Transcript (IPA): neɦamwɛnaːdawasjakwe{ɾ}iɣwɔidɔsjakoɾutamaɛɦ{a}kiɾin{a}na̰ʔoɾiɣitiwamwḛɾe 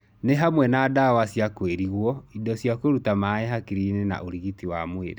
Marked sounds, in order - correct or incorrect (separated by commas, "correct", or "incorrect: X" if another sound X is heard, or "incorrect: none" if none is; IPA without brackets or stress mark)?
correct, correct, incorrect: e